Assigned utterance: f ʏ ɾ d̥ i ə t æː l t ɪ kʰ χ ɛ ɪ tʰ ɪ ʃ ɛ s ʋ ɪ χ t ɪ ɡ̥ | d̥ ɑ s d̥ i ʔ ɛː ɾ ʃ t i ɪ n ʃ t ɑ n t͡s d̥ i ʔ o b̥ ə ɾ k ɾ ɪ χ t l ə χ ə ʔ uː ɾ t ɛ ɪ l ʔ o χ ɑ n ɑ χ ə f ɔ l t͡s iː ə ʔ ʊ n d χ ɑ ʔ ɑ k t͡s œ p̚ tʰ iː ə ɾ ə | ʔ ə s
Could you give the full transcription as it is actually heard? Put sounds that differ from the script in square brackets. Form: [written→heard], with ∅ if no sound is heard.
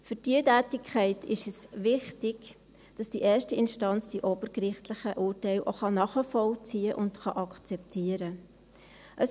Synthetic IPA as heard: f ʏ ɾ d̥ i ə t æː [l→∅] t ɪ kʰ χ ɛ ɪ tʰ ɪ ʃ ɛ s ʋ ɪ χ t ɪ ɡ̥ | d̥ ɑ s d̥ i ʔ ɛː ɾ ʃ t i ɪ n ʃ t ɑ n t͡s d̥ i ʔ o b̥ ə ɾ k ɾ ɪ χ t l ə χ ə ʔ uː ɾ t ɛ ɪ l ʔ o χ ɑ n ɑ χ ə f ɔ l t͡s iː ə ʔ ʊ n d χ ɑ ʔ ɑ k t͡s [œ→ɛ] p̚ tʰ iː ə ɾ ə | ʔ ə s